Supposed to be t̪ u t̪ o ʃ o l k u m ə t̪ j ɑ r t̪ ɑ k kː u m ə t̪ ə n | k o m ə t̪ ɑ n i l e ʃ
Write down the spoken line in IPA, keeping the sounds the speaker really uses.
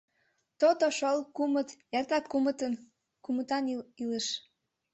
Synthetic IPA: t̪ o t̪ o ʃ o l k u m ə t̪ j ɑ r t̪ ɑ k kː u m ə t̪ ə n | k u m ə t̪ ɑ n i l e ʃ